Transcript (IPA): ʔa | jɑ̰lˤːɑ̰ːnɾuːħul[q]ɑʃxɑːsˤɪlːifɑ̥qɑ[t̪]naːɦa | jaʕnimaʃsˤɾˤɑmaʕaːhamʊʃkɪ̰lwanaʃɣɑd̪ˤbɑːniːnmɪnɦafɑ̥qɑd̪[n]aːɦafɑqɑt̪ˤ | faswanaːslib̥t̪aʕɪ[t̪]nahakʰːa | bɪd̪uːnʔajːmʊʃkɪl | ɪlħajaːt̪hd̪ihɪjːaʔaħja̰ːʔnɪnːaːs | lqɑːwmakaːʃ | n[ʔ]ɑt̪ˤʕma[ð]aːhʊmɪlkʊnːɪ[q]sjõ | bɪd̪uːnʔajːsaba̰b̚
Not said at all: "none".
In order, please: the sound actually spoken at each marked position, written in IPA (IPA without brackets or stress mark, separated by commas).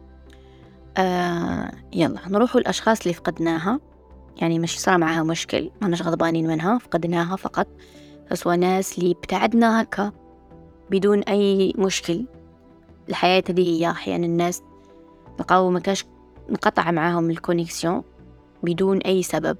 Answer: ʔ, d̪, n, d̪, q, ʕ, k